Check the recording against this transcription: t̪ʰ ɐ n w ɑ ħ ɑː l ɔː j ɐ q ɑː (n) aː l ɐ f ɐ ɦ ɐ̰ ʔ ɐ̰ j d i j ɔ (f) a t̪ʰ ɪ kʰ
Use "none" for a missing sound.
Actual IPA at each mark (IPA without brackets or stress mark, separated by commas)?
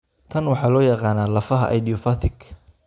n, f